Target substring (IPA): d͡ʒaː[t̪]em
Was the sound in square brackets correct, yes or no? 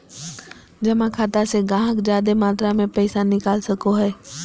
no